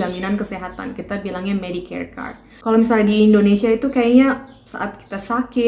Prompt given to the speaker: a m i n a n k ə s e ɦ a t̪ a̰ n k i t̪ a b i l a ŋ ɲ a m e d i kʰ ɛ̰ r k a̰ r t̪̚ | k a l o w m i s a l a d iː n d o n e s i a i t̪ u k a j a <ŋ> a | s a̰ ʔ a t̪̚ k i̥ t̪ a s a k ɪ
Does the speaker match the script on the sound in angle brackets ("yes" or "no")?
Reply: no